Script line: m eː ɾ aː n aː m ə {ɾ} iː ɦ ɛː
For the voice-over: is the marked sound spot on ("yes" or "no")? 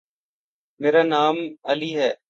no